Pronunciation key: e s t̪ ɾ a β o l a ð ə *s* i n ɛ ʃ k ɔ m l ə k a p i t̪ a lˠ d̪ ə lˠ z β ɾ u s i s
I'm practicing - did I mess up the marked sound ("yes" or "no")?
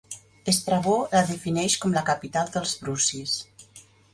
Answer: yes